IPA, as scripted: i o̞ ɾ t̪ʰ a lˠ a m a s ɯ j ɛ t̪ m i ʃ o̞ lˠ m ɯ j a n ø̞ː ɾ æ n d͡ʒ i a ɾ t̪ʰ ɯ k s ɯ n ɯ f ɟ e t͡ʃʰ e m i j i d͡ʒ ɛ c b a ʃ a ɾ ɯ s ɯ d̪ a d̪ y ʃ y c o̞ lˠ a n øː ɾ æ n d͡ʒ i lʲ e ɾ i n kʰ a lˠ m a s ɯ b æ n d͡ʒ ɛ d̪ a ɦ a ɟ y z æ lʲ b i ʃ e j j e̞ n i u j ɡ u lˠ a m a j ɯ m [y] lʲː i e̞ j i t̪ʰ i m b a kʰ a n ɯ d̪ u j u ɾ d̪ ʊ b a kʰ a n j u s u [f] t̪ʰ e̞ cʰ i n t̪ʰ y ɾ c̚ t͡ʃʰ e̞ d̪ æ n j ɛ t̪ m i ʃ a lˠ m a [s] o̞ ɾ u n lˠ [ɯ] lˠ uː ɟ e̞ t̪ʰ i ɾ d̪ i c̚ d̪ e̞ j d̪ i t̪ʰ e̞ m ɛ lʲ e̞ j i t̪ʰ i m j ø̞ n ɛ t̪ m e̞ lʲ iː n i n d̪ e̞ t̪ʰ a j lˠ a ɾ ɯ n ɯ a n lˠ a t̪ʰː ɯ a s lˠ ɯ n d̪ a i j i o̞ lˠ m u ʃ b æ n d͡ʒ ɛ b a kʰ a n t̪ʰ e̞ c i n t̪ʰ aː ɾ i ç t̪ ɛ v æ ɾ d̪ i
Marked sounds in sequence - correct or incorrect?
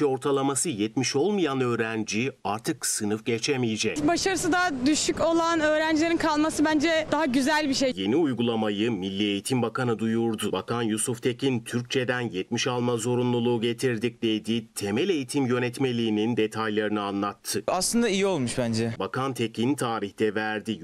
incorrect, correct, incorrect, incorrect

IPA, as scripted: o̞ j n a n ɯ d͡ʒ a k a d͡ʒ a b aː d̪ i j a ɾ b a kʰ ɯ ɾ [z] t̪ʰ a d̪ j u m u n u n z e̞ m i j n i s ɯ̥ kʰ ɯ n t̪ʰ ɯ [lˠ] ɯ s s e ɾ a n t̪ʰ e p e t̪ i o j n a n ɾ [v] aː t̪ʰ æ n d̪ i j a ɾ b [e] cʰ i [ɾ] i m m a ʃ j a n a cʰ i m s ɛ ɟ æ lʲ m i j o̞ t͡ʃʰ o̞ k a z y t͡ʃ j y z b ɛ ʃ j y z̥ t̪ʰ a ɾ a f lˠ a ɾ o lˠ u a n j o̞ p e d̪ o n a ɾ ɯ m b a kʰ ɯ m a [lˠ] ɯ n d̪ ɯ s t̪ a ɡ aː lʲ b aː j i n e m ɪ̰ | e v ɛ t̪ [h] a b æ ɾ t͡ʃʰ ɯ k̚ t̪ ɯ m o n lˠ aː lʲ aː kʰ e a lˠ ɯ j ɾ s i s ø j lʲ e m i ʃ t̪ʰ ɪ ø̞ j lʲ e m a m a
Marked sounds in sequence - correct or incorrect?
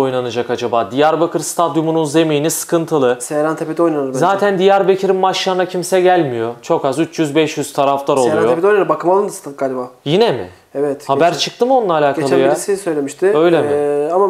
incorrect, correct, incorrect, correct, correct, correct, correct

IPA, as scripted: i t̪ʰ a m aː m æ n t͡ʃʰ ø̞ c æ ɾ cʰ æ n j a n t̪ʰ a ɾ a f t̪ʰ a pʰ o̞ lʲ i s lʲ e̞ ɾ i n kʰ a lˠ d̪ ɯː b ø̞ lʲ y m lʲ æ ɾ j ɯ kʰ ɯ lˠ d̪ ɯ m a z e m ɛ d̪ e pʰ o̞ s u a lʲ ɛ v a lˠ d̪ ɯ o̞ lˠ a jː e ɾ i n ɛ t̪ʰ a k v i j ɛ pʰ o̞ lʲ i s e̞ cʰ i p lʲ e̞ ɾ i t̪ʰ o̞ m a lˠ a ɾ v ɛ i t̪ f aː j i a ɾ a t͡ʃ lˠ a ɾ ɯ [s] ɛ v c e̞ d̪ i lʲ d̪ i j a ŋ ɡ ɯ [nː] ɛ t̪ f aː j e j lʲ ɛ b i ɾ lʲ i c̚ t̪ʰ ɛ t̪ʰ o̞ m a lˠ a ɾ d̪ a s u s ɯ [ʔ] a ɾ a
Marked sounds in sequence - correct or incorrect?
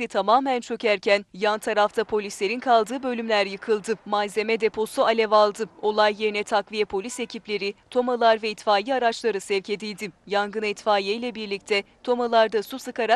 correct, incorrect, incorrect

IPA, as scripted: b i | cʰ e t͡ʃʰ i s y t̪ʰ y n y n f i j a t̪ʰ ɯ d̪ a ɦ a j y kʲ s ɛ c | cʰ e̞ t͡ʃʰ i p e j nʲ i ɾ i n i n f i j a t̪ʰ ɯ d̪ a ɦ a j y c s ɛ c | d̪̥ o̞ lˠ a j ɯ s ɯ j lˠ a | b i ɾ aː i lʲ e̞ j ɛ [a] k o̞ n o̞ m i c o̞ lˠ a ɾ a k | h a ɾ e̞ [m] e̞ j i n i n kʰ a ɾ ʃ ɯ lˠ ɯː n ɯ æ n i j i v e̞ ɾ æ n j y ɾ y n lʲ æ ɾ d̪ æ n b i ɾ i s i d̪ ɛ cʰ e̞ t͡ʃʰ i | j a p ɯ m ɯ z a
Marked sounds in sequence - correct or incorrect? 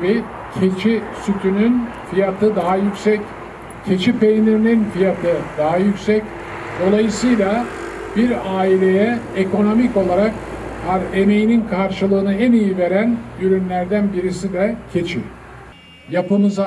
incorrect, correct

